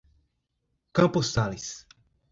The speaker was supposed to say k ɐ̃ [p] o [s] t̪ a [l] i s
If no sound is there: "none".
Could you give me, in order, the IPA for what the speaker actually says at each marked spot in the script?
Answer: p, s, l

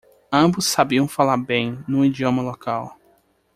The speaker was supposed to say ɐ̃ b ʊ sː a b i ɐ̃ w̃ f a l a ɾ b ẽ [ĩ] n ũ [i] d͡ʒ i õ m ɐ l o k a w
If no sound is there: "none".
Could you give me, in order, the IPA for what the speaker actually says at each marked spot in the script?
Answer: j̃, i

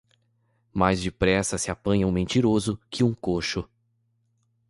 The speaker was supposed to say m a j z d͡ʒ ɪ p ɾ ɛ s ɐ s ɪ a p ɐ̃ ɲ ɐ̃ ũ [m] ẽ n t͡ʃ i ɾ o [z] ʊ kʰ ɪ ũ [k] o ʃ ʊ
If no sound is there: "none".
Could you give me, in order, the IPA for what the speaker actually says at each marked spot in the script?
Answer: m, z, k

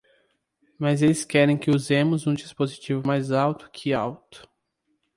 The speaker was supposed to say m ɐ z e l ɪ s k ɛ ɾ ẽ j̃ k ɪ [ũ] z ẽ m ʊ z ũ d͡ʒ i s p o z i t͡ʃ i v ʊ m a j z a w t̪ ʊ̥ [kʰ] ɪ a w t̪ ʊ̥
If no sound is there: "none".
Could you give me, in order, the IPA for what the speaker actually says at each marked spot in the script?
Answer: u, kʰ

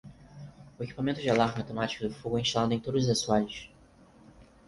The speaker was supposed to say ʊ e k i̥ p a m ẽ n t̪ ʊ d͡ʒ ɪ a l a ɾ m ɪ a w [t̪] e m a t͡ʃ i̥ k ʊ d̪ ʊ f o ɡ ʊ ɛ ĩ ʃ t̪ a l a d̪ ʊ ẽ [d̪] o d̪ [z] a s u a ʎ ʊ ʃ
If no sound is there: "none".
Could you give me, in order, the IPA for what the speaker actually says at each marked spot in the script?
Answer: t̪, t̪, z

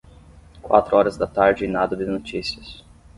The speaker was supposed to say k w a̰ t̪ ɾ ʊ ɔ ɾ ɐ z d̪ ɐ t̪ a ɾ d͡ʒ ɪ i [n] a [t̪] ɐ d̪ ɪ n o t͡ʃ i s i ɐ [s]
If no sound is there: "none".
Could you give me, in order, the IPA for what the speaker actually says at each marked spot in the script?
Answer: n, d̪, s

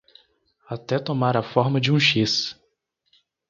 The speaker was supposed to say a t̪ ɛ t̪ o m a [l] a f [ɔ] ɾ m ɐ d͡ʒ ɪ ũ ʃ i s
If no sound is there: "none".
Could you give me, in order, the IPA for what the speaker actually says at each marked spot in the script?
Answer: ɾ, ɔ

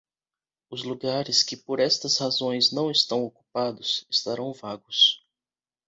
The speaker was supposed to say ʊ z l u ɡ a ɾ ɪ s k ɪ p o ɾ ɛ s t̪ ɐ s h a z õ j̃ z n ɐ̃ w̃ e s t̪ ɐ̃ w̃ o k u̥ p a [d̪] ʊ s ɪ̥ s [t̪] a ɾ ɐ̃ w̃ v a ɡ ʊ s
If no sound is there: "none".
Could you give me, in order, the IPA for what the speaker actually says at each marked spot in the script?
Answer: d̪, t̪

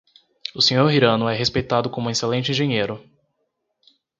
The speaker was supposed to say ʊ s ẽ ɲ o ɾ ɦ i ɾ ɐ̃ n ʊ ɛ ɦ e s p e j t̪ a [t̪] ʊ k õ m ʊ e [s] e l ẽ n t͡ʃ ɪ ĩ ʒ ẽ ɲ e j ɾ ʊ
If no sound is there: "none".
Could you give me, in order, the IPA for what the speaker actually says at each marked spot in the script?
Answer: d̪, s

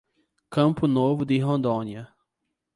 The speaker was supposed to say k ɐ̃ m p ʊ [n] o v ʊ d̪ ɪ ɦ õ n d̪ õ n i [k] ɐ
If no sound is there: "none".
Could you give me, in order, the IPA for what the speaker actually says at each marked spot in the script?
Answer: n, none

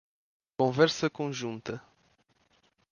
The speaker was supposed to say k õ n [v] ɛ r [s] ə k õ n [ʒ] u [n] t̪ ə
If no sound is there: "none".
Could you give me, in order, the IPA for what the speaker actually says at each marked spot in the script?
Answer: v, s, ʒ, n

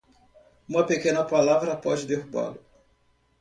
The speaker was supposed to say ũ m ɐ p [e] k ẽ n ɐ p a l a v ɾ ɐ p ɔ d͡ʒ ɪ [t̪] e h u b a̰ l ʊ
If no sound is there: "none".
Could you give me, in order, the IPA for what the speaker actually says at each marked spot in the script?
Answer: e, d̪

